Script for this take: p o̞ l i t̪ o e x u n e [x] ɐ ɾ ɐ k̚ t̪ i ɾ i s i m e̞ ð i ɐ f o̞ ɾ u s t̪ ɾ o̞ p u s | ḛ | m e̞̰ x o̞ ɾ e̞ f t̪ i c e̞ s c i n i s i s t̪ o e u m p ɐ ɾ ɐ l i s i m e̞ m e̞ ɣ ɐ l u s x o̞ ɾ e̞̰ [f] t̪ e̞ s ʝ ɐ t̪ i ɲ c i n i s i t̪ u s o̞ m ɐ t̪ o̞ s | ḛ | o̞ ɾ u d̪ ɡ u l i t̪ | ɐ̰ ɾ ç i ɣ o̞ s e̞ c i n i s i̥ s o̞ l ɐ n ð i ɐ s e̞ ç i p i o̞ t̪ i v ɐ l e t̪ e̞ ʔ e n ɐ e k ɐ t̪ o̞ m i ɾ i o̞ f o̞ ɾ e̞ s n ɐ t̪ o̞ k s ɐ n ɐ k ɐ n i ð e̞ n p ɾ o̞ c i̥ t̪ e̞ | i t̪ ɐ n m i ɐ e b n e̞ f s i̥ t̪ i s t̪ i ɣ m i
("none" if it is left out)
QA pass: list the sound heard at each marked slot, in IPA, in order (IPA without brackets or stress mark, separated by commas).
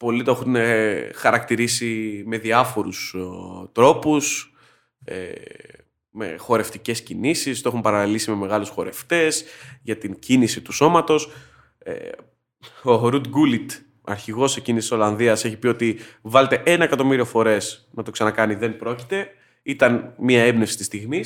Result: x, f